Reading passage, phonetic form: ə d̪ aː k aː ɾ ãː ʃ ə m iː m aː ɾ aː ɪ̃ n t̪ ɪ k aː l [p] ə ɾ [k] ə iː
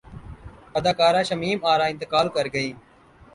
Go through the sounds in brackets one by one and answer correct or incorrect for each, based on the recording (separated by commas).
incorrect, incorrect